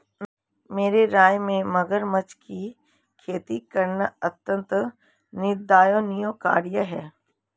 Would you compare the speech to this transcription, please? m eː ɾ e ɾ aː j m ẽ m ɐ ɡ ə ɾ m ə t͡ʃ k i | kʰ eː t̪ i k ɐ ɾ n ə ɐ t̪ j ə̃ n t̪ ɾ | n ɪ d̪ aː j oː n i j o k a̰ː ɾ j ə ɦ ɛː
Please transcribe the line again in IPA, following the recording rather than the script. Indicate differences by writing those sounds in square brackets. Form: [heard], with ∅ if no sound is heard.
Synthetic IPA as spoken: m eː ɾ e ɾ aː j m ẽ m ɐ ɡ ə ɾ m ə t͡ʃ k i | kʰ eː t̪ i k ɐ ɾ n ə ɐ t̪ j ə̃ n t̪ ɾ | n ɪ d̪ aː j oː n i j o k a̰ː ɾ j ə ɦ ɛː